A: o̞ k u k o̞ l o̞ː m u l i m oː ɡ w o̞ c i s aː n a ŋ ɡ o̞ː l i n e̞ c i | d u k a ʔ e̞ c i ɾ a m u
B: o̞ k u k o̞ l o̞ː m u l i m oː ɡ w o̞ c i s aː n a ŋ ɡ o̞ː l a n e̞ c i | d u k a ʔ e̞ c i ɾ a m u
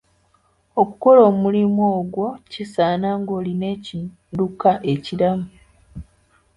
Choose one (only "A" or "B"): A